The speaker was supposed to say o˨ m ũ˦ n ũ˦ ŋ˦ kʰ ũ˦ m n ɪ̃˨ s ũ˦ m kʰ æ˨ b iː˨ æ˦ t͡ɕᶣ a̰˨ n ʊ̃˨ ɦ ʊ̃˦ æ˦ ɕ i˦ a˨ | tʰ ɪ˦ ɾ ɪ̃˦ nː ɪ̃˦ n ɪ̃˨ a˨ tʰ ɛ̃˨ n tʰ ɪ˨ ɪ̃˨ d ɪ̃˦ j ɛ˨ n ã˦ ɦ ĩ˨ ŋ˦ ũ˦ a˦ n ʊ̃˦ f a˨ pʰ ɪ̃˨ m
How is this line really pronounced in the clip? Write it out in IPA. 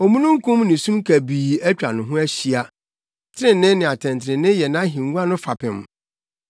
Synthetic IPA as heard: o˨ m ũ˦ n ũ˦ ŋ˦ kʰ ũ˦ m n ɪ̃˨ s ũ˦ m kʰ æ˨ b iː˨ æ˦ t͡ɕᶣ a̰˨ n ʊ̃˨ ɦ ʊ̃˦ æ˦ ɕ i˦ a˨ | tʰ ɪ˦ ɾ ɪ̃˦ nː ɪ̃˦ n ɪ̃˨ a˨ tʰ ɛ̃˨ n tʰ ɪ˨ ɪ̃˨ n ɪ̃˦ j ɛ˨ n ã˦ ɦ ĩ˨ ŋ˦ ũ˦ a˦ n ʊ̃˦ f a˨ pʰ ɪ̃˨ m